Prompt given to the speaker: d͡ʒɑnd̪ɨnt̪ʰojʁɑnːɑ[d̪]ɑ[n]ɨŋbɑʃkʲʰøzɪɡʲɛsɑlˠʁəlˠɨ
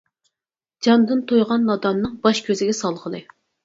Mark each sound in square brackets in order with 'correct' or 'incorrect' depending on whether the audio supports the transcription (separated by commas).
correct, incorrect